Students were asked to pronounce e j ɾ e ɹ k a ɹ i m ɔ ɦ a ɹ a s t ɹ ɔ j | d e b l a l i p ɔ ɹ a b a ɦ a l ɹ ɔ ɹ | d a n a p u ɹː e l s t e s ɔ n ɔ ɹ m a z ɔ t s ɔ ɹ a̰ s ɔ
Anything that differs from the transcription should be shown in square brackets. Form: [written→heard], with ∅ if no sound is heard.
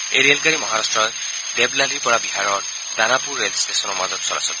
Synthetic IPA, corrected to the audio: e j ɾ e [ɹ→l] k a ɹ i m ɔ ɦ a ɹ a s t ɹ ɔ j | d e b l a l i p ɔ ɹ a b [a→i] ɦ a [l→∅] ɹ ɔ ɹ | d a n a p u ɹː e l s t e s ɔ n ɔ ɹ m a z ɔ t s ɔ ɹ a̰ s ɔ